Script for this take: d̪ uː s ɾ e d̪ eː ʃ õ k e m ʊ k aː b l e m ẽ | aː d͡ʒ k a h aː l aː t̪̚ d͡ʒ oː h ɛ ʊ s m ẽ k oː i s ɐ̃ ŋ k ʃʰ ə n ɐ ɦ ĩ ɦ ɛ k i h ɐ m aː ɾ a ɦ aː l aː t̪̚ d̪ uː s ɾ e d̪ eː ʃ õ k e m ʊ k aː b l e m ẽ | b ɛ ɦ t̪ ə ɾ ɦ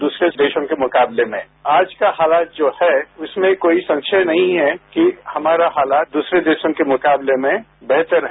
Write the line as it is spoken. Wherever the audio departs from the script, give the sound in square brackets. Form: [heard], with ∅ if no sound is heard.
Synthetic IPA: d̪ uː s ɾ e d̪ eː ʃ õ k e m ʊ k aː b l e m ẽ | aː d͡ʒ k a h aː l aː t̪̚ d͡ʒ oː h ɛ ʊ s m ẽ k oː i s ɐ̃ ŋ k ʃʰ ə n ɐ ɦ ĩ ɦ ɛ k i h ɐ m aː ɾ a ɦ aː l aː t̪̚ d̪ uː s ɾ e d̪ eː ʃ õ k e m ʊ k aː b l e m ẽ | b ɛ ɦ t̪ ə ɾ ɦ